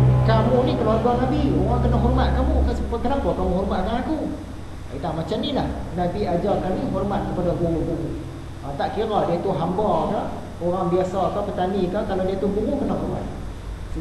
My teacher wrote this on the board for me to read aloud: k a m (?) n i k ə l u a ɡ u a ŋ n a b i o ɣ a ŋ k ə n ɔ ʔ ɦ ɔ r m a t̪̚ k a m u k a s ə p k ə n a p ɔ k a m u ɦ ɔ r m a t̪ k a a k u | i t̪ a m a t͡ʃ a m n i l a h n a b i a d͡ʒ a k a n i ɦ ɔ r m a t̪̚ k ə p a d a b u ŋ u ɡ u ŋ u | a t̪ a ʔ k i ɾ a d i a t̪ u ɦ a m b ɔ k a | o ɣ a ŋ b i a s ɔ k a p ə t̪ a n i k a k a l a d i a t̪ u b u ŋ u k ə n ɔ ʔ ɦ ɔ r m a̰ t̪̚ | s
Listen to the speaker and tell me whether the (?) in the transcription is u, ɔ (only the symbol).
u